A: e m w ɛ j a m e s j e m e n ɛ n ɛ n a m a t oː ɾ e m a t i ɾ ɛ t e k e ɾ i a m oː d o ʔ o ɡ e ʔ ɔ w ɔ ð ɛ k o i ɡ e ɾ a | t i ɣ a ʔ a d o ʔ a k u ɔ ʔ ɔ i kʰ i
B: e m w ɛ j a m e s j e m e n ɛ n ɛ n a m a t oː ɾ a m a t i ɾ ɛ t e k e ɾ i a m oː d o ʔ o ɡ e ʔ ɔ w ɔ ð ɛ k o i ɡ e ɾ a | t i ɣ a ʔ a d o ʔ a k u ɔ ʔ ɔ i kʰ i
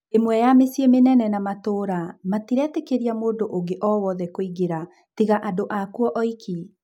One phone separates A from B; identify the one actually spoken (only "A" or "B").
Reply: B